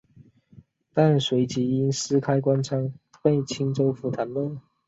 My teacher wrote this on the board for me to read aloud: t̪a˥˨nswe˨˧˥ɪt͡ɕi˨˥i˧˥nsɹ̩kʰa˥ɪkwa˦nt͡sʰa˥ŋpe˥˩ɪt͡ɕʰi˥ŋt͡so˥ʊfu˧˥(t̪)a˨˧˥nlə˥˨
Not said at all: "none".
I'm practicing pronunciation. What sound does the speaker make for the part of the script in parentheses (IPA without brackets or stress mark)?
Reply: t̪ʰ